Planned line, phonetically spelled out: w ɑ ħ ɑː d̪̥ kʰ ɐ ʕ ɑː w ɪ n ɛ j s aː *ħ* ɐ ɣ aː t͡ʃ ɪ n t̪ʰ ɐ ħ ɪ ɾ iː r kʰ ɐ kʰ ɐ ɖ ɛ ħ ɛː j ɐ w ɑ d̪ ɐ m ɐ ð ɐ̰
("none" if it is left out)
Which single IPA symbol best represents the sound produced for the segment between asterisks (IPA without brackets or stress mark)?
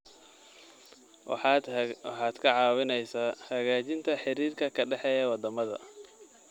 h